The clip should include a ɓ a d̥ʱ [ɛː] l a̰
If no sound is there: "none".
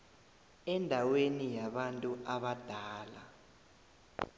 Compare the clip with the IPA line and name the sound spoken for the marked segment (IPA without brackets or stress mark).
aː